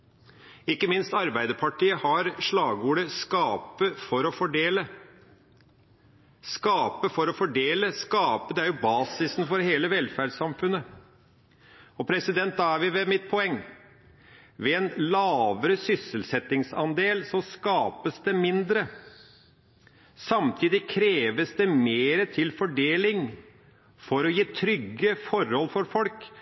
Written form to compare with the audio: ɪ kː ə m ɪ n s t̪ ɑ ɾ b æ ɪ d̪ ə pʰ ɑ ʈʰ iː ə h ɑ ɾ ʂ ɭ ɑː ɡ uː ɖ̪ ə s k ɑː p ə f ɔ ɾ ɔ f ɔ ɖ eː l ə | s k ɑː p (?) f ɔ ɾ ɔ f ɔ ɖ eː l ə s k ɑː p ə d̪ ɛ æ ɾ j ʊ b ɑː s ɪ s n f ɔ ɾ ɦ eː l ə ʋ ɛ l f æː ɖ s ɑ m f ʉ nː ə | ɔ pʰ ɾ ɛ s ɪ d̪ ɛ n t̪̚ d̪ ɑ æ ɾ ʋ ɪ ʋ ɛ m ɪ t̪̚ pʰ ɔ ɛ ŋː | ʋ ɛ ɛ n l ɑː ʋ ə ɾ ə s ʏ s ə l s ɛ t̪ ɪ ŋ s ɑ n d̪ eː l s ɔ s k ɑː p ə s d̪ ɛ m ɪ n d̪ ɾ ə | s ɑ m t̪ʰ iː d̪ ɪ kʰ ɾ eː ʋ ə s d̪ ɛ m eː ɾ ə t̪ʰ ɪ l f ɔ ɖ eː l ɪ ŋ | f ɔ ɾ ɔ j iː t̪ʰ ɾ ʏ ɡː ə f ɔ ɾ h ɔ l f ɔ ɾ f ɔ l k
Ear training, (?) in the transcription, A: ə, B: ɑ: A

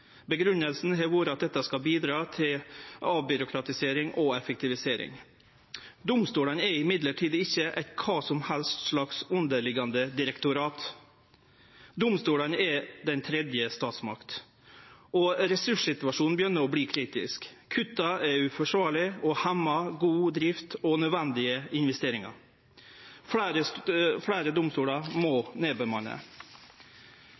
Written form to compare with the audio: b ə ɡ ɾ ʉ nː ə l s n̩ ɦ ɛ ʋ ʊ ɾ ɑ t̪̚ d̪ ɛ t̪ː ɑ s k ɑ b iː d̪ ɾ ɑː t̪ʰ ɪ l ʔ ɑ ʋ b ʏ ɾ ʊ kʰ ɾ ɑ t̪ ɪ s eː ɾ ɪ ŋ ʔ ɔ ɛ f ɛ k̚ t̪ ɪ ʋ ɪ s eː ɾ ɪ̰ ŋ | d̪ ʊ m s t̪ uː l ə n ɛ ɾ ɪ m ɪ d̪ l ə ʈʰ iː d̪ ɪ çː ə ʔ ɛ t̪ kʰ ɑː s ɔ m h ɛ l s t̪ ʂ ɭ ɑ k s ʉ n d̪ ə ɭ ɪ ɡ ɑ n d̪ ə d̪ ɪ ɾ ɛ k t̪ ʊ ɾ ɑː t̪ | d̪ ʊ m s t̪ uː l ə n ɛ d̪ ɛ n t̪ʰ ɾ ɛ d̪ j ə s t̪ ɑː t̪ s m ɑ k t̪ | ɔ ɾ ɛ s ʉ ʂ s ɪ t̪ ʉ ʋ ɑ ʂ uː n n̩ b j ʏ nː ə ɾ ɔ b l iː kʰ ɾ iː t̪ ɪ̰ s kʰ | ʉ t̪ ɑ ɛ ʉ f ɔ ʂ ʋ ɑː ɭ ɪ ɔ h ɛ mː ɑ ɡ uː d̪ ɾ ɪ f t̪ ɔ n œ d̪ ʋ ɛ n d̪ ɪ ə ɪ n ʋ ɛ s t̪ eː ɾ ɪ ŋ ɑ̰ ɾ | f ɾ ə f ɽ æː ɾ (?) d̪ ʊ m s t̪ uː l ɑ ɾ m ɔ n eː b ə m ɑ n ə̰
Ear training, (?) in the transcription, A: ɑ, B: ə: B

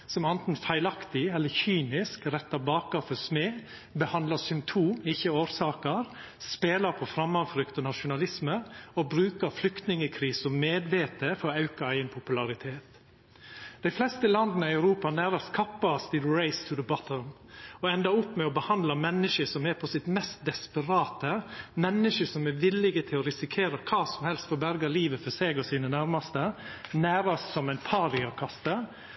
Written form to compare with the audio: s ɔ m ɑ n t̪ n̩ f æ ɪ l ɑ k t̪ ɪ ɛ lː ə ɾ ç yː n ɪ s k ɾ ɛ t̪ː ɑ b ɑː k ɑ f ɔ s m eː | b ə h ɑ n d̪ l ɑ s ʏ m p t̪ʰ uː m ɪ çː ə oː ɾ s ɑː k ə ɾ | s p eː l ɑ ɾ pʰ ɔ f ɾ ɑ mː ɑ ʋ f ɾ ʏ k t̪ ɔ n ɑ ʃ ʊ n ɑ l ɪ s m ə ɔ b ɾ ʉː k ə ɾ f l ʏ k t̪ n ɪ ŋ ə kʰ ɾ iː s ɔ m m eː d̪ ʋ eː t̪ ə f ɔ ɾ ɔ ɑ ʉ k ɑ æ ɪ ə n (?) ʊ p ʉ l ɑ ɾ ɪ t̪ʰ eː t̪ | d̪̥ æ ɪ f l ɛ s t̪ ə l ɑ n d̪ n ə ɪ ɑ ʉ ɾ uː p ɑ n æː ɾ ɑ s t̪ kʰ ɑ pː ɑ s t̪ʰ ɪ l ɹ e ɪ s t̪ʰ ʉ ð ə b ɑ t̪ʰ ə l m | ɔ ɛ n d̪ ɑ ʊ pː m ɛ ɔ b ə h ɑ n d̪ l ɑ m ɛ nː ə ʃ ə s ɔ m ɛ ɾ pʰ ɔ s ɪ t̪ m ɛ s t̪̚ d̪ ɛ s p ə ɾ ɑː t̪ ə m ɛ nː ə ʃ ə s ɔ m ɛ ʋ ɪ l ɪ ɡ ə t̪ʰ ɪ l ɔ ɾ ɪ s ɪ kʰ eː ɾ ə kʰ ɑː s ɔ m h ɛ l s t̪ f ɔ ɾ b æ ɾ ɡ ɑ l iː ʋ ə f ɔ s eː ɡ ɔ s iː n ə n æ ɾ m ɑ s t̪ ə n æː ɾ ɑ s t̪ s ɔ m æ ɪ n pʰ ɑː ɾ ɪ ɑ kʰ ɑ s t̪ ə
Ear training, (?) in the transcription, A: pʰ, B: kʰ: A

